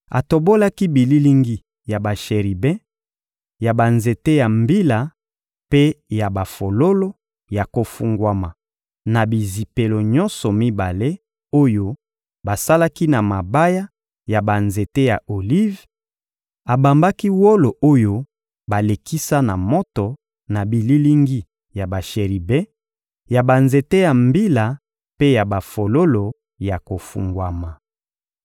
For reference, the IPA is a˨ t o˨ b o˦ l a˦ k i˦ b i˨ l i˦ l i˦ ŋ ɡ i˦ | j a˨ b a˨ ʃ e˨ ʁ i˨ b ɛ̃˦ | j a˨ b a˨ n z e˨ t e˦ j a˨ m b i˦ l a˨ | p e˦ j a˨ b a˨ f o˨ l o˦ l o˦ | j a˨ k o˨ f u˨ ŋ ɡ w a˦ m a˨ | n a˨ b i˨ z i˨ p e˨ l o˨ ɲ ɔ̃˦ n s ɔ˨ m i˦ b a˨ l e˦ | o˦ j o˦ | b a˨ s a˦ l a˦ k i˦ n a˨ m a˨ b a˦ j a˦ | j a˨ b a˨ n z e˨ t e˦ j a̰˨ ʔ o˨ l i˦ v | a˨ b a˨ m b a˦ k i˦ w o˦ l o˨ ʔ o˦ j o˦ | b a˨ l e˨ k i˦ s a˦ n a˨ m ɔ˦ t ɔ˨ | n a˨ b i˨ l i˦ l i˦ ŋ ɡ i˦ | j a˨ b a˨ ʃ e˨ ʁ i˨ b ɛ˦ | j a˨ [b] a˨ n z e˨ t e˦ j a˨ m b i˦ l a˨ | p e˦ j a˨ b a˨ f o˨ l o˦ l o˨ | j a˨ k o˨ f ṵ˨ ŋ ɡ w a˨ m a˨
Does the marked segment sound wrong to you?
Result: no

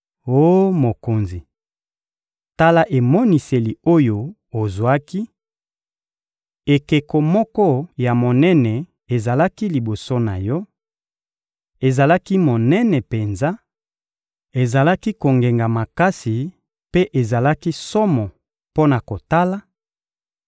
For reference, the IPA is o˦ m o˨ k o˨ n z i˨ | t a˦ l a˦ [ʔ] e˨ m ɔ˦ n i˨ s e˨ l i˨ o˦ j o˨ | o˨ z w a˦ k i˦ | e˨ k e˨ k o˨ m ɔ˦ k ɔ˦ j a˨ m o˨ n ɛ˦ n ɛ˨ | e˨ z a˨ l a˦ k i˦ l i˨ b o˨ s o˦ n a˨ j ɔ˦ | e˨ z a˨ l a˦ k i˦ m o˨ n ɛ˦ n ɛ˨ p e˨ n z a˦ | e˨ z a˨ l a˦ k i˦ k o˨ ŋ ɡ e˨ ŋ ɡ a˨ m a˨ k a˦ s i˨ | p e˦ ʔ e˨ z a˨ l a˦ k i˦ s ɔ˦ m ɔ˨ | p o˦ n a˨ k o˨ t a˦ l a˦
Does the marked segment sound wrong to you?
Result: no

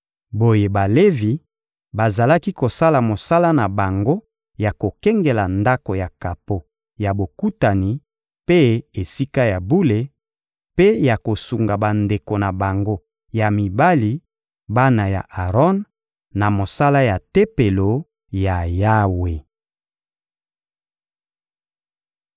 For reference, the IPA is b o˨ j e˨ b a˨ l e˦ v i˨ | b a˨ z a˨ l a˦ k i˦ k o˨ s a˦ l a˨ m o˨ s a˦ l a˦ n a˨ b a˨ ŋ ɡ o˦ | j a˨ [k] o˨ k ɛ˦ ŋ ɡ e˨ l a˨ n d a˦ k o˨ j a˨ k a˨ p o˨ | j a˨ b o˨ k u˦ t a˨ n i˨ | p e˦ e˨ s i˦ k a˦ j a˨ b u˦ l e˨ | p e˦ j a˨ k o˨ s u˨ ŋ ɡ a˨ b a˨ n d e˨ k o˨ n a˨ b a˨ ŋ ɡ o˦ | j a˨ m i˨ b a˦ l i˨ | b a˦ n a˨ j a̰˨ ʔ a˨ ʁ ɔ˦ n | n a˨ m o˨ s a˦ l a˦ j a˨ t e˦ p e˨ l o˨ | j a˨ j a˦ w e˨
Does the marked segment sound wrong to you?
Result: no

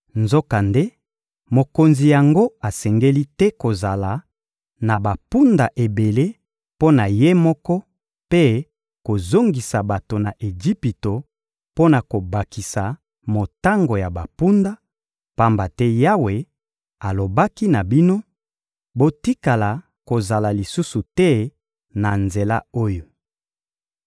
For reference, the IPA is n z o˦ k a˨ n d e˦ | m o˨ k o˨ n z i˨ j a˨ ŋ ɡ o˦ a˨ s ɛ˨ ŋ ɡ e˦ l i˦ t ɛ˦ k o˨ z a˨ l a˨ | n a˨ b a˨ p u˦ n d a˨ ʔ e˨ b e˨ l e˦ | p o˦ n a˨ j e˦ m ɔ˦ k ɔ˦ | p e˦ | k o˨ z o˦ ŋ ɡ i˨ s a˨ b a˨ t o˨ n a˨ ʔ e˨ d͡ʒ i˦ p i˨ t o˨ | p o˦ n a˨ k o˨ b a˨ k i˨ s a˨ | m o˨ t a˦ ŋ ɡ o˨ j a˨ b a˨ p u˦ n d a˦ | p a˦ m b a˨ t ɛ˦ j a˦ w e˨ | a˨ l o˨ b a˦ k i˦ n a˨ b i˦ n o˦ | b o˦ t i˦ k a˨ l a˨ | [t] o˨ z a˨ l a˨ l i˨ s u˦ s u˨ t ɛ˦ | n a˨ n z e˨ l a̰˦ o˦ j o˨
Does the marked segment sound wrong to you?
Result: yes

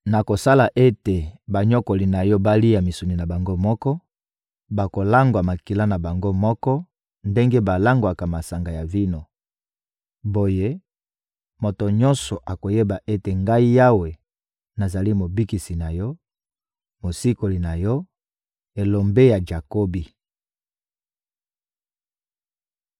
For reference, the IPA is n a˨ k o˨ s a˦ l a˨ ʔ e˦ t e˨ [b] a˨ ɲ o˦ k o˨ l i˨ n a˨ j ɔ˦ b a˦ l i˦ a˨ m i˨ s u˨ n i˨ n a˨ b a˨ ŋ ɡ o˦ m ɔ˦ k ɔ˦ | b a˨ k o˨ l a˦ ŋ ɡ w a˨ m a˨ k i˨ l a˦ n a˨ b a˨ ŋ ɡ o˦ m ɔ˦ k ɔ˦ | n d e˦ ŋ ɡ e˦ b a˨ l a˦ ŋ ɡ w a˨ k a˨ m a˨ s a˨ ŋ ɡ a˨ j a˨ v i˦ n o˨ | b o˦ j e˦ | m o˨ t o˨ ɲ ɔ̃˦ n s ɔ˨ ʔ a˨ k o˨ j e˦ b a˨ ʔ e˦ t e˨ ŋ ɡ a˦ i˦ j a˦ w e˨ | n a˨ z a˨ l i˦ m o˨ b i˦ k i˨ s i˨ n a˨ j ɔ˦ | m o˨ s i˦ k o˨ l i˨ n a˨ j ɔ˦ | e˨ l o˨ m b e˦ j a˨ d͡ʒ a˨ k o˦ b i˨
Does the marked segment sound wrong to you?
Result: no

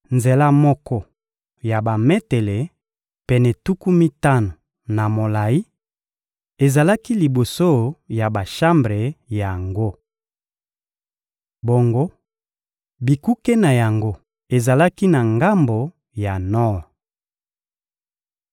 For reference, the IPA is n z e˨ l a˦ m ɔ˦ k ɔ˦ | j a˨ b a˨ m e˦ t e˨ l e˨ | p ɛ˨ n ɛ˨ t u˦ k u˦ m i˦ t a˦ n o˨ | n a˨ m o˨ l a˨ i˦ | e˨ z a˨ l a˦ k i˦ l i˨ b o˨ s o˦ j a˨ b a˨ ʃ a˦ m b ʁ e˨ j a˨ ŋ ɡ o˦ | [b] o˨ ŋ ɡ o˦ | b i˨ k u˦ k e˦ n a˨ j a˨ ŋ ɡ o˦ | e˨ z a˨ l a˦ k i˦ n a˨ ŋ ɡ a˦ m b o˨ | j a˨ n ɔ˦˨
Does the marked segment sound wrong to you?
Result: no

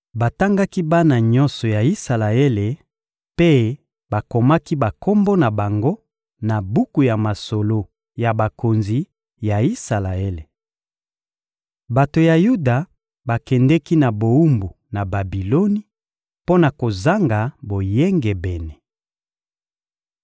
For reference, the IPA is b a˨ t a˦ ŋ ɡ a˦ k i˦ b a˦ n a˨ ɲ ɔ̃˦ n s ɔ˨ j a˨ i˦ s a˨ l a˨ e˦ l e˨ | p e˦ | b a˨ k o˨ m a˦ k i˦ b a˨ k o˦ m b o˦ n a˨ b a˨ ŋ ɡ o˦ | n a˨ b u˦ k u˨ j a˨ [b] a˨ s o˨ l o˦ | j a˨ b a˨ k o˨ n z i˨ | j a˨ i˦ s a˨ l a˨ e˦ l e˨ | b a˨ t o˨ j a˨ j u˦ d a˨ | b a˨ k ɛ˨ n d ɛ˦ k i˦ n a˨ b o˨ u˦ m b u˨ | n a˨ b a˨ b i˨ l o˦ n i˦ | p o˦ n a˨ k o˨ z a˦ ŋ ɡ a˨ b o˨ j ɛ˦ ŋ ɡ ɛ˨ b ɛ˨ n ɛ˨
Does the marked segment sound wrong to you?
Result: yes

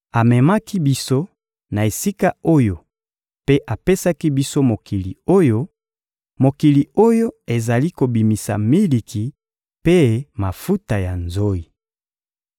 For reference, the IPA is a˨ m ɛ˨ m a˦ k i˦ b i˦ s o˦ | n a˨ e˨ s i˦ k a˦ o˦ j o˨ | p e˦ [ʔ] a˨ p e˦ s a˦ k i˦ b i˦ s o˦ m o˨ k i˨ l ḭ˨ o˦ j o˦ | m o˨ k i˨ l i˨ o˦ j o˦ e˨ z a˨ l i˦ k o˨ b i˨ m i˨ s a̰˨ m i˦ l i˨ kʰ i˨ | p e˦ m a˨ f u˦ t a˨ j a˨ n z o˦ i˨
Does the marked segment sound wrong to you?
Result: no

